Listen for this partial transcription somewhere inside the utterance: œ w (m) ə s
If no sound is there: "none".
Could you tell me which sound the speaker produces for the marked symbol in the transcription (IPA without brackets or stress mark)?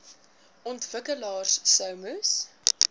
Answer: m